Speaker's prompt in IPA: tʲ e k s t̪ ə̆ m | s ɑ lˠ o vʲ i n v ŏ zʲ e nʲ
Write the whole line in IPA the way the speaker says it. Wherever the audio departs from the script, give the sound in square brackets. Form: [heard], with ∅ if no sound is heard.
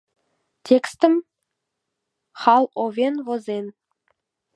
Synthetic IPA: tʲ e k s t̪ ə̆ m | [χ] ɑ lˠ o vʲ [e] n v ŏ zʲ e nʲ